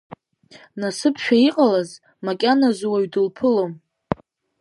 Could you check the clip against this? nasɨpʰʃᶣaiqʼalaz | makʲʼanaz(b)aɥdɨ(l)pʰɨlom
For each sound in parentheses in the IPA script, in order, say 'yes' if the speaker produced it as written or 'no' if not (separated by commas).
no, yes